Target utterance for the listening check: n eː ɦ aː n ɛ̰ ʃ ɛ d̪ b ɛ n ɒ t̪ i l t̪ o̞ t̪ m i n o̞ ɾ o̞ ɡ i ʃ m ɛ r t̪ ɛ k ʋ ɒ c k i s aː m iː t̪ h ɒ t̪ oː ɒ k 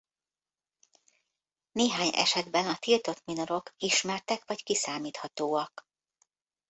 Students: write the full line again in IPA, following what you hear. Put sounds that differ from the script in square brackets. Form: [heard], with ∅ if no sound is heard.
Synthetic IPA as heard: n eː ɦ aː [ɲ] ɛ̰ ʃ ɛ d̪ b ɛ n ɒ t̪ i l t̪ o̞ t̪ m i n o̞ ɾ o̞ [k] i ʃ m ɛ r t̪ ɛ k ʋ ɒ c k i s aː m iː t̪ h ɒ t̪ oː ɒ k